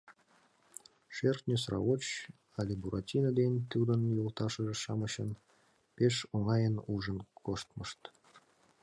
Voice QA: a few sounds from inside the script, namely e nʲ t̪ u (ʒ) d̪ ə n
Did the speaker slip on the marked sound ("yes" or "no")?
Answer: yes